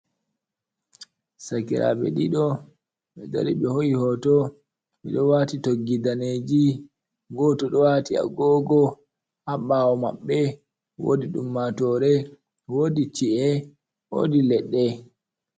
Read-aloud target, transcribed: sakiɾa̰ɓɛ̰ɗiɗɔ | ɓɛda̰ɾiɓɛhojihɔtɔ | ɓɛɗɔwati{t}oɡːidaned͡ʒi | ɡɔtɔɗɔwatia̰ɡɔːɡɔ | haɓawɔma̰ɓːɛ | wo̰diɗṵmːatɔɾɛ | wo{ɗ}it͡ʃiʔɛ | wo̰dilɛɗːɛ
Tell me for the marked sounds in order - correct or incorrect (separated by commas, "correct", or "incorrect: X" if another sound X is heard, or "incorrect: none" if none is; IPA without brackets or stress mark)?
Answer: correct, incorrect: d